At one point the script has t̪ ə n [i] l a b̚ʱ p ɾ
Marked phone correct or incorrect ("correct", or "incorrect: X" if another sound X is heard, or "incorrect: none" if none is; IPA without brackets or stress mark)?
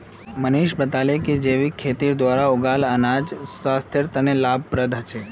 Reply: incorrect: e